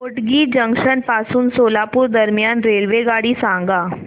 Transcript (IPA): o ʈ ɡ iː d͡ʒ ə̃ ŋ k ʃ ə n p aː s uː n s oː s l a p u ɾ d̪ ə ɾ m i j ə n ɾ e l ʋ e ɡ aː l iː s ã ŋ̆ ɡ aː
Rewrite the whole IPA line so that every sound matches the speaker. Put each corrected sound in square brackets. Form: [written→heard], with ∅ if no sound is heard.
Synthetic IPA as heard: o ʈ ɡ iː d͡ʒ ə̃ ŋ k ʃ ə n p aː s uː n s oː [s→∅] l a p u ɾ d̪ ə ɾ m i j [ə→a] n ɾ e l ʋ e ɡ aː [l→ɽ] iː s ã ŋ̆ ɡ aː